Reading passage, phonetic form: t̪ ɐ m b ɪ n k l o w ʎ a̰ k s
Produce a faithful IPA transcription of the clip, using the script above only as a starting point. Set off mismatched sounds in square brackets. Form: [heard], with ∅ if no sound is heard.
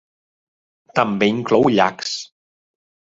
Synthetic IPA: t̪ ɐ m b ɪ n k l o w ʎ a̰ k s

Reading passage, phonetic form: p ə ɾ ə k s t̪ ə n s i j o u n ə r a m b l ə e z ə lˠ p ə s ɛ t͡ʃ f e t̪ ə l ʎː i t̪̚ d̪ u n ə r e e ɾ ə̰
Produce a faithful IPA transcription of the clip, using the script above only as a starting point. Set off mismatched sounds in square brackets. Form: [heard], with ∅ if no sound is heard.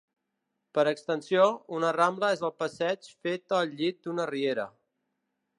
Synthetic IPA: p ə ɾ ə k s t̪ ə n s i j o u n ə r a m b l ə e z ə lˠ p ə s ɛ t͡ʃ f e t̪ ə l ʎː i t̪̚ d̪ u n ə r [i] e ɾ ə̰

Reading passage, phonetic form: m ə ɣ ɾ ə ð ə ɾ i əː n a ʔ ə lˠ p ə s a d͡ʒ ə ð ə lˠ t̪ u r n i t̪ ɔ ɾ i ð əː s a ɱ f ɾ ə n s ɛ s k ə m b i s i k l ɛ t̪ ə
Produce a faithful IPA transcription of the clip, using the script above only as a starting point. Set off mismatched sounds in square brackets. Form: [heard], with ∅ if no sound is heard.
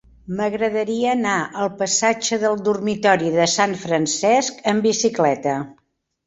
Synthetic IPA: m ə ɣ ɾ ə ð ə ɾ i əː n a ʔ ə lˠ p ə s a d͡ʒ ə ð ə lˠ [d̪] u r [m] i t̪ ɔ ɾ i ð [ə] s a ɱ f ɾ ə n s ɛ s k ə m b i s i k l ɛ t̪ ə

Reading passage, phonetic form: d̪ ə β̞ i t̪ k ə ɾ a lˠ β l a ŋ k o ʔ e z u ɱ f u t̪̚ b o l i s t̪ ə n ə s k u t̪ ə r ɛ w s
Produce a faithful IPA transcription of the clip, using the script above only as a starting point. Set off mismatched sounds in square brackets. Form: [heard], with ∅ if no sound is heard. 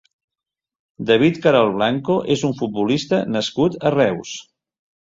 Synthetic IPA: d̪ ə β̞ i t̪ k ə ɾ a lˠ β l a ŋ k o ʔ e z u ɱ f u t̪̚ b [u] l i s t̪ ə n ə s k u t̪ ə r ɛ w s

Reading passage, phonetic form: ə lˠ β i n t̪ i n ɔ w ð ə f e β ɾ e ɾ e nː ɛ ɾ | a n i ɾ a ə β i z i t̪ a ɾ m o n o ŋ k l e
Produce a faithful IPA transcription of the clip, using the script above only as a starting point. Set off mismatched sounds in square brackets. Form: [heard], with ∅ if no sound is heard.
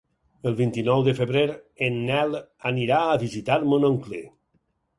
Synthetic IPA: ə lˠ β i n t̪ i n ɔ w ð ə f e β ɾ e ɾ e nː ɛ [l] | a n i ɾ a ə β i z i t̪ a ɾ m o n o ŋ k l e

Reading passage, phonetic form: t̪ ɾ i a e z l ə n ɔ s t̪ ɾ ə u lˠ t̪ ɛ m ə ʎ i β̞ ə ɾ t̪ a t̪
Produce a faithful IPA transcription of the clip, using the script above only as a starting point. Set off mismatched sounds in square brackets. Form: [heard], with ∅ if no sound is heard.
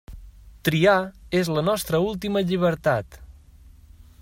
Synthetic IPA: t̪ ɾ i a e z l ə n ɔ s t̪ ɾ ə u lˠ t̪ [i] m ə ʎ i β̞ ə ɾ t̪ a t̪

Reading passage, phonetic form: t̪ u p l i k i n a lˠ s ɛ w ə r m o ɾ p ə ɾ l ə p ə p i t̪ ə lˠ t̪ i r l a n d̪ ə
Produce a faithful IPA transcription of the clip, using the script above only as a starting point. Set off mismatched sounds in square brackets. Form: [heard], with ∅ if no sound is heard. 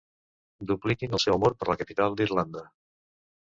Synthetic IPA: [d̪] u p l i k i n [ə] lˠ s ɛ w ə [∅] m o ɾ p ə ɾ l ə [k] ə p i t̪ [a] lˠ [d̪] i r l a n d̪ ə

